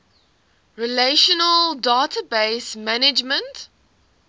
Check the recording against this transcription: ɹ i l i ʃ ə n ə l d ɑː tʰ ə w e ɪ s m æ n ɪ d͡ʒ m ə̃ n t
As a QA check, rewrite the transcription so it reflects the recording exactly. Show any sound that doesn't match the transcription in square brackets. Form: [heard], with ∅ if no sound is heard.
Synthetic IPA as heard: ɹ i l [e] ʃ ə n ə l d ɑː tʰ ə [b] e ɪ s m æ n ɪ d͡ʒ m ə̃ n t